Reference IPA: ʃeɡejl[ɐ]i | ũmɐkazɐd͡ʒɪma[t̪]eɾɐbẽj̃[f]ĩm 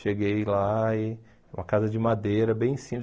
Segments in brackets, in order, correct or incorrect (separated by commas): incorrect, incorrect, incorrect